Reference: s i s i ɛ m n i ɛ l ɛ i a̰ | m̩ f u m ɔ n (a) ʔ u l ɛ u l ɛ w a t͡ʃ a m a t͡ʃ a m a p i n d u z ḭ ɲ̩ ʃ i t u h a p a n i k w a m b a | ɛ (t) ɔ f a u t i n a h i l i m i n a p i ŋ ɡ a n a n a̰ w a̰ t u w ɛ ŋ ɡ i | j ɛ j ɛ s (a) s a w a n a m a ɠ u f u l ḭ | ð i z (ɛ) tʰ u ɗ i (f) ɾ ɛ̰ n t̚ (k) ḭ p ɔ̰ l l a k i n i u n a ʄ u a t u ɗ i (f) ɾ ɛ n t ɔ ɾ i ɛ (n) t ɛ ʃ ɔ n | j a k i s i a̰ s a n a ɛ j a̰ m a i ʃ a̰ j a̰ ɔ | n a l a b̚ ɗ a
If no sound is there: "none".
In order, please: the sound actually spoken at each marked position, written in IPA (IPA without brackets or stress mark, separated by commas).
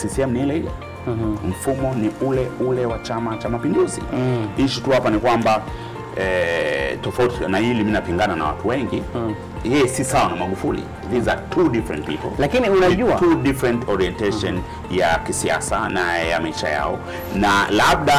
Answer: i, t, i, a, f, p, f, n